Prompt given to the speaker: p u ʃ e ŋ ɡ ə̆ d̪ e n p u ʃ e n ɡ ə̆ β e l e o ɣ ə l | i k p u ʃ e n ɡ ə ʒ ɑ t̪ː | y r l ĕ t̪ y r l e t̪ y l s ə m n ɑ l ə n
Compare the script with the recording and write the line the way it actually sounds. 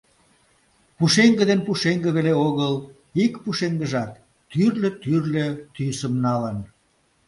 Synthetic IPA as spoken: p u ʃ e ŋ ɡ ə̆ d̪ e n p u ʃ e ŋ ɡ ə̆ β e l e o ɣ ə l | i k p u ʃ e ŋ ɡ ə ʒ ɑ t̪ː | y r l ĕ t̪ y r l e t̪ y s ə m n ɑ l ə n

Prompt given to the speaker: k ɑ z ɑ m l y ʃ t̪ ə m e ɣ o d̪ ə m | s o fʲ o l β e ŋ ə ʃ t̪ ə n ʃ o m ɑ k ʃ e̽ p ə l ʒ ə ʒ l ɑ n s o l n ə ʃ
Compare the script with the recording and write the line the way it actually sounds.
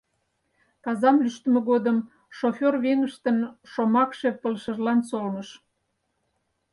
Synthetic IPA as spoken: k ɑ z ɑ m l y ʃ t̪ ə m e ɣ o d̪ ə m | ʃ o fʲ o r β e ŋ ə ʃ t̪ ə n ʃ o m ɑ k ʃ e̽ p ə l ʃ ə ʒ l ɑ n s o l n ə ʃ

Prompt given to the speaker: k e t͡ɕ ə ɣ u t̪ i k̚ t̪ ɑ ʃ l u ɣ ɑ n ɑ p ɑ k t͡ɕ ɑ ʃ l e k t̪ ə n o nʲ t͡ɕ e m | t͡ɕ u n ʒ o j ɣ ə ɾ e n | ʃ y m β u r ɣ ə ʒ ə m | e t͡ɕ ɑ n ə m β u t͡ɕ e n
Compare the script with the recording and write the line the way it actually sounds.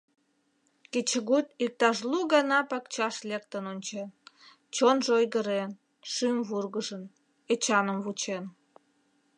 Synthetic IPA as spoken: k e t͡ɕ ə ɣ u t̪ i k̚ t̪ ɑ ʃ l u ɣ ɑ n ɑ p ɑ k t͡ɕ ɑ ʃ l e k t̪ ə n o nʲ t͡ɕ e n | t͡ɕ o n ʒ o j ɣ ə ɾ e n | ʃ y m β u r ɣ ə ʒ ə n | e t͡ɕ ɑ n ə m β u t͡ɕ e n

